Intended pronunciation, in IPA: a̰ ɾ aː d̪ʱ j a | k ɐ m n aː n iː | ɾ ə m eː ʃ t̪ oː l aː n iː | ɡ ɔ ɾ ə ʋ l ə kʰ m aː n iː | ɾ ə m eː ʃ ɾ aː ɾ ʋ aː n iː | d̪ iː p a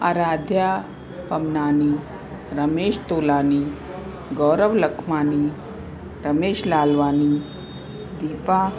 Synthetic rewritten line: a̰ ɾ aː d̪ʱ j a | p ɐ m n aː n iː | ɾ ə m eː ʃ t̪ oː l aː n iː | ɡ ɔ ɾ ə ʋ l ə kʰ m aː n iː | ɾ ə m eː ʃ l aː l ʋ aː n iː | d̪ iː p a

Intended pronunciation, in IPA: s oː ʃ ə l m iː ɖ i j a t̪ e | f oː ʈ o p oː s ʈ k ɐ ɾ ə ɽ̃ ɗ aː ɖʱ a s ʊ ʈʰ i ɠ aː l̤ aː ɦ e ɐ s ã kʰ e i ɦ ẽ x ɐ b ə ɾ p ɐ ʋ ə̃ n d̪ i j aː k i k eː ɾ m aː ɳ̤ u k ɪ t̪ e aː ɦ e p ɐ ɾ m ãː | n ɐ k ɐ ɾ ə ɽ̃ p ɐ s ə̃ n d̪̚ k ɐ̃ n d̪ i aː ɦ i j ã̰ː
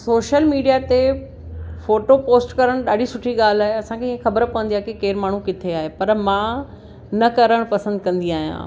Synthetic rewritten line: s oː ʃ ə l m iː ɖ i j a t̪ e | f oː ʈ o p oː s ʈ k ɐ ɾ ə ɽ̃ ɗ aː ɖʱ i s ʊ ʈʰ i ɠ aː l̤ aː ɦ e ɐ s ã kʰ e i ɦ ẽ x ɐ b ə ɾ p ɐ ʋ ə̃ n d̪ i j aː k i k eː ɾ m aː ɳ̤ u k ɪ t̪ʰ e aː ɦ e p ɐ ɾ m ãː | n ɐ k ɐ ɾ ə ɽ̃ p ɐ s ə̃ n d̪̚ k ɐ̃ n d̪ i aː ɦ i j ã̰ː

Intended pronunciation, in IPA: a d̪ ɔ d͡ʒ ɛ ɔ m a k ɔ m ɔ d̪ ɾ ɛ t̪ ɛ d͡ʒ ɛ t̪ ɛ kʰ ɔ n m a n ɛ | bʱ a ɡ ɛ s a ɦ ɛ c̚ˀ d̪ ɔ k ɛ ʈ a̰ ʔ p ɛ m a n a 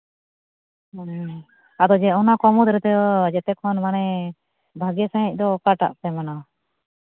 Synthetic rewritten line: a d̪ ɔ d͡ʒ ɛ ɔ n a k ɔ m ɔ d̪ ɾ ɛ t̪ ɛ d͡ʒ ɛ t̪ ɛ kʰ ɔ n m a n ɛ | bʱ a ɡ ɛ s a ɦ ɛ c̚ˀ d̪ ɔ k a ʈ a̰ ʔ p ɛ m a n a

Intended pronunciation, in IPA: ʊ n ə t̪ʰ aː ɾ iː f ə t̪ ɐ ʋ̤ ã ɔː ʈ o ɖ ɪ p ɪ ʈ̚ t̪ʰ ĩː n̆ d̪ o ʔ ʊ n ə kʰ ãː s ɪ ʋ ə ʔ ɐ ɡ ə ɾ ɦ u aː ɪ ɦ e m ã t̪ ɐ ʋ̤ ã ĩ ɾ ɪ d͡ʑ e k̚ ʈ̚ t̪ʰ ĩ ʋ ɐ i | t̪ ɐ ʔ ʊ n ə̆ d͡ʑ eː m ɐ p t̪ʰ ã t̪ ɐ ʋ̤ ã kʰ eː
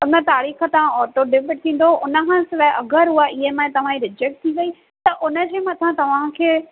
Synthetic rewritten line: ʊ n ə t̪ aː ɾ iː x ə t̪ ɐ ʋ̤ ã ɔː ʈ o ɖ ɪ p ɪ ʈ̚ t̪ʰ ĩː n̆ d̪ o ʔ ʊ n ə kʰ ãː s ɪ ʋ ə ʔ ɐ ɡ ə ɾ ɦ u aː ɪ ɦ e m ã t̪ ɐ ʋ̤ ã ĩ ɾ ɪ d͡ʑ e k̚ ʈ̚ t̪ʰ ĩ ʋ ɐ i | t̪ ɐ ʔ ʊ n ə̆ d͡ʑ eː m ɐ t̪ʰ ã t̪ ɐ ʋ̤ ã kʰ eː

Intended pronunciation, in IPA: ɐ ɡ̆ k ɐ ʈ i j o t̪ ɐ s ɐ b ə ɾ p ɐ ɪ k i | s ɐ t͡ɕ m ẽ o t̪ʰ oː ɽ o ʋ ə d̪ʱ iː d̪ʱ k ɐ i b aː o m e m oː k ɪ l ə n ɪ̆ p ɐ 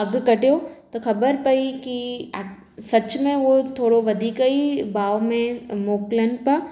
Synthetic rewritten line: ɐ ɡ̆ k ɐ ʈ i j o t̪ ɐ x ɐ b ə ɾ p ɐ i k i | s ɐ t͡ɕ m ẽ o t̪ʰ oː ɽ o ʋ ɐ d̪ʱ iː k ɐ i b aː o m ẽ m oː k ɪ l ə n ɪ̆ p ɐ

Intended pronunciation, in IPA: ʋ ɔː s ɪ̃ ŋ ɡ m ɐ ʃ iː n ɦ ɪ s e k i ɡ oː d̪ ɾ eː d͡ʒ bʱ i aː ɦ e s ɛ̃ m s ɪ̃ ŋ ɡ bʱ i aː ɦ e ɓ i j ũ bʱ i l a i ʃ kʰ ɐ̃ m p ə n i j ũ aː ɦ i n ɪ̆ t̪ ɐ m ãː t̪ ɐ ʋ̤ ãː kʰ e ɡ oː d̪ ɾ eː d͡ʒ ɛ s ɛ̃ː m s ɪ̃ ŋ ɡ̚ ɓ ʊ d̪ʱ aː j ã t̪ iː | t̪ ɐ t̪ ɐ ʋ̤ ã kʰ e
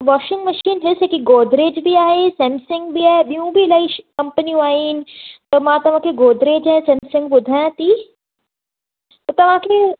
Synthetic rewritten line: ʋ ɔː ʃ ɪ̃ ŋ ɡ m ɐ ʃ iː n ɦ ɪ s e k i ɡ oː d̪ ɾ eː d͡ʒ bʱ i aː ɦ e s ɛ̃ m s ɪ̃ ŋ ɡ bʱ i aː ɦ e ɓ i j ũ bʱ i l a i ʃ k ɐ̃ m p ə n i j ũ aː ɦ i n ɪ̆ t̪ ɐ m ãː t̪ ɐ ʋ̤ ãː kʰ e ɡ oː d̪ ɾ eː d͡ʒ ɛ s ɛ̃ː m s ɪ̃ ŋ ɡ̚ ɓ ʊ d̪ʱ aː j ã t̪ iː | t̪ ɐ t̪ ɐ ʋ̤ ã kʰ e

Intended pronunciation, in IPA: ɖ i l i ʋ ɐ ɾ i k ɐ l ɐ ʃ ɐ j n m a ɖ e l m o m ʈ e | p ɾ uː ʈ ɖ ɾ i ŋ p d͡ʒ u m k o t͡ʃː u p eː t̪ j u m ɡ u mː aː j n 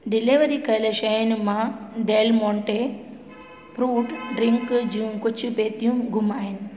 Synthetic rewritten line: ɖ i l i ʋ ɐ ɾ i k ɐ l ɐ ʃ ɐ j n m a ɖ e l m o ɳ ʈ e | p ɾ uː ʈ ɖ ɾ i ŋ k d͡ʒ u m k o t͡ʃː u p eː t̪ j u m ɡ u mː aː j n

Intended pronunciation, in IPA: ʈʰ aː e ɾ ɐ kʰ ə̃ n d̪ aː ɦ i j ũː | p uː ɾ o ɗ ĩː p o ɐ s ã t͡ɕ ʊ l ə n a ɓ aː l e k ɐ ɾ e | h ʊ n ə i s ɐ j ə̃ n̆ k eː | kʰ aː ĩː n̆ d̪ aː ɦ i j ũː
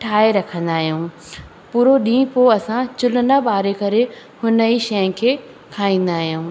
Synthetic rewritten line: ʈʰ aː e ɾ ɐ kʰ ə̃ n d̪ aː ɦ i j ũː | p uː ɾ o ɗ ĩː p o ɐ s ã t͡ɕ ʊ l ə n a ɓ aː ɾ e k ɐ ɾ e | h ʊ n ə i ʃ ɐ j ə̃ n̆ kʰ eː | kʰ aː ĩː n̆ d̪ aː ɦ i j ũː

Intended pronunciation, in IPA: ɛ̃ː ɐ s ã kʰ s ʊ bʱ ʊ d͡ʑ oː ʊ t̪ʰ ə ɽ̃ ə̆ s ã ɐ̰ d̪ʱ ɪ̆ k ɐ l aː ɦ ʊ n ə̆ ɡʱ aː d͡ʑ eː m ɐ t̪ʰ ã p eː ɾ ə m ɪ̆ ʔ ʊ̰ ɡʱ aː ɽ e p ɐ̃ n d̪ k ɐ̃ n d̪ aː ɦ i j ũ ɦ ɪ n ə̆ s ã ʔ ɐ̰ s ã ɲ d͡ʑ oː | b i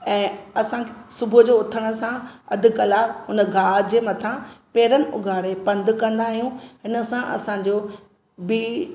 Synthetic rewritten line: ɛ̃ː ɐ s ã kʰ s ʊ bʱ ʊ d͡ʑ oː ʊ t̪ʰ ə ɽ̃ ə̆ s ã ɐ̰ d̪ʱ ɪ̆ k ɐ l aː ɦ ʊ n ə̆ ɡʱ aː d͡ʑ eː m ɐ t̪ʰ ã p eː ɾ ə n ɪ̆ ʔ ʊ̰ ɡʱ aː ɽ e p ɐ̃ n d̪ k ɐ̃ n d̪ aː ɦ i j ũ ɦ ɪ n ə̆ s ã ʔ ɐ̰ s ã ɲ d͡ʑ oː | b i

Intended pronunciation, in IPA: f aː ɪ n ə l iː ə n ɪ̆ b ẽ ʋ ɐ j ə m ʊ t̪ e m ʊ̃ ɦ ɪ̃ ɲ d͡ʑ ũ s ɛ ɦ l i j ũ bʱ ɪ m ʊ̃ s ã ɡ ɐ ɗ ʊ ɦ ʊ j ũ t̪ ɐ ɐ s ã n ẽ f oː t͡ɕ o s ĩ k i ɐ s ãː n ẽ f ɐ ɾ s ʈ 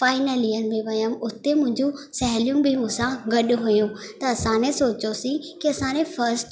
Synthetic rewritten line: f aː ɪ n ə l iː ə n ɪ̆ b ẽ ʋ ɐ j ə m ʊ t̪ e m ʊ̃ ɦ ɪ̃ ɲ d͡ʑ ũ s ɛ ɦ l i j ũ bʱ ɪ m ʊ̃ s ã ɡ ɐ ɗ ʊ ɦ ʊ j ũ t̪ ɐ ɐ s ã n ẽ s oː t͡ɕ o s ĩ k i ɐ s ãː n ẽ f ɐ ɾ s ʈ

